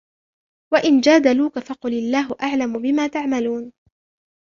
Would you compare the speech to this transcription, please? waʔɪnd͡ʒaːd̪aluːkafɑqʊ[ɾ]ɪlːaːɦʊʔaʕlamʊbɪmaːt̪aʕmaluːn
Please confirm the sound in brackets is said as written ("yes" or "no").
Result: no